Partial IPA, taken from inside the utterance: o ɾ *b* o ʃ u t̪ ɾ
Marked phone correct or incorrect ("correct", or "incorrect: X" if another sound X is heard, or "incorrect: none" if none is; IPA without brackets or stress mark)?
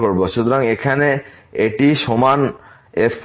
correct